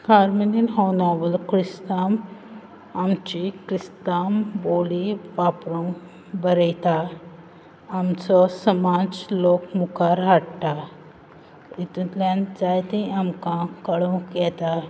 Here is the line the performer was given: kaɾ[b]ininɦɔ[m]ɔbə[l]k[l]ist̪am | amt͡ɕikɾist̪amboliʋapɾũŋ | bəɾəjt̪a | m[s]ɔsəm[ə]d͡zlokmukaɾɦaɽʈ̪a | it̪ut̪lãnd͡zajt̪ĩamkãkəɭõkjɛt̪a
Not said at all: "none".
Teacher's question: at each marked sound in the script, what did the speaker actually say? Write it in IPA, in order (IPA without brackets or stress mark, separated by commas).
m, n, l, ɾ, t͡s, a